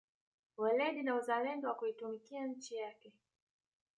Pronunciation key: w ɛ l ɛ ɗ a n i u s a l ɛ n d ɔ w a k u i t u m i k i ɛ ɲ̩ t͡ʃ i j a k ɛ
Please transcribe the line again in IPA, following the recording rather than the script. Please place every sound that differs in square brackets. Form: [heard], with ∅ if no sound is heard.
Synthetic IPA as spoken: w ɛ l ɛ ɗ [i] n [a] u [z] a l ɛ n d ɔ w a k u i t u m i k i [a] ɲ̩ t͡ʃ i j a k ɛ